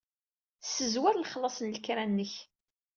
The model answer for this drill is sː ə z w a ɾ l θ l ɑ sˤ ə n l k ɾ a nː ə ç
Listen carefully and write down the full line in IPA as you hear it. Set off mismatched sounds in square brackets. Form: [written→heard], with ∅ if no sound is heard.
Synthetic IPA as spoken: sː ə z w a ɾ l [θ→χ] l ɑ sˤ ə n l k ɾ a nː ə ç